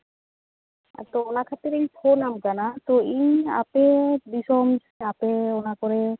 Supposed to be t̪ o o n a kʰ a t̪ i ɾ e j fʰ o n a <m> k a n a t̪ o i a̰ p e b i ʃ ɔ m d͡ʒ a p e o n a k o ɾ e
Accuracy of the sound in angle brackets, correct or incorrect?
correct